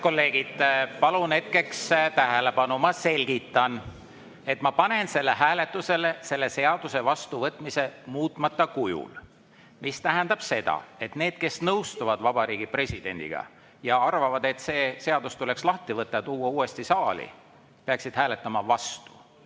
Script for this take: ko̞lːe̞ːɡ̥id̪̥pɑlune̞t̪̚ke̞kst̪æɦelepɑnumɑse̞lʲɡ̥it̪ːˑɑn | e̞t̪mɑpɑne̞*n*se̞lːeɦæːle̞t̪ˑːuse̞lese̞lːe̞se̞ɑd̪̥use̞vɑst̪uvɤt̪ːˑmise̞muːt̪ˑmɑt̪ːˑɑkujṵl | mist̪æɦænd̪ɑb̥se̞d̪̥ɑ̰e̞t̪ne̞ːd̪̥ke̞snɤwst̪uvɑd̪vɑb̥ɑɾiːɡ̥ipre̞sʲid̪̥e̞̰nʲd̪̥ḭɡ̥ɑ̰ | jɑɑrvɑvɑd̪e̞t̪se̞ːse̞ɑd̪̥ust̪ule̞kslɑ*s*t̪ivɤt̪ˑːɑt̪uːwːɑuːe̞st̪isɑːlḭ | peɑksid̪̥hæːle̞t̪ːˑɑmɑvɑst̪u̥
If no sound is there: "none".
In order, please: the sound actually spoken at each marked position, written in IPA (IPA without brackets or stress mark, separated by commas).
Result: n, h